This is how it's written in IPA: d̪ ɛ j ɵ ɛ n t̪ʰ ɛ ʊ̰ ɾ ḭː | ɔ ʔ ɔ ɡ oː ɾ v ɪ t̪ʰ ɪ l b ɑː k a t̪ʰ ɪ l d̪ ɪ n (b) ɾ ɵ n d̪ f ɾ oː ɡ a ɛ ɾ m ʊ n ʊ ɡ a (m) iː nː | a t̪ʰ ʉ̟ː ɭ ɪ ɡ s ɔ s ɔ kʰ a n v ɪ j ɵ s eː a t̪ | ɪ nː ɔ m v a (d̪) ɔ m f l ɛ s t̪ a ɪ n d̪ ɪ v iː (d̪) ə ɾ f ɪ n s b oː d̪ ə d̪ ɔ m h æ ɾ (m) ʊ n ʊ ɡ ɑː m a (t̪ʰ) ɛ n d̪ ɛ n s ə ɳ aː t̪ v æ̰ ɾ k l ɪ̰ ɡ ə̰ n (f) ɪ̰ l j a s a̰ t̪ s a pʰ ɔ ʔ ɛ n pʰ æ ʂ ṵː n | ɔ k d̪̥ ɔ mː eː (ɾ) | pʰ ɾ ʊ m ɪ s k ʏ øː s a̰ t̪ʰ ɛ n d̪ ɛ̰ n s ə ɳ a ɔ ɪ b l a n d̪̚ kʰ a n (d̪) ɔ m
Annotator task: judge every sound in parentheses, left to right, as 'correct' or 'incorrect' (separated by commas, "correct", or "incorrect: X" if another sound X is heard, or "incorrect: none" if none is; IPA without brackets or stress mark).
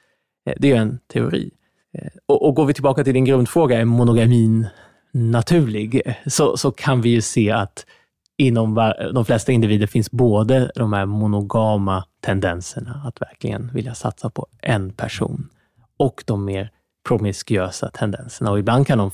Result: incorrect: ɡ, correct, correct, correct, correct, correct, incorrect: v, correct, correct